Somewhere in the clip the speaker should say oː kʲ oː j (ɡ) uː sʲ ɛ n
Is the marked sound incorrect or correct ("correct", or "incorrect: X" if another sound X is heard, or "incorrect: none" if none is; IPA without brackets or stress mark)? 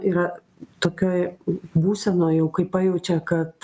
incorrect: b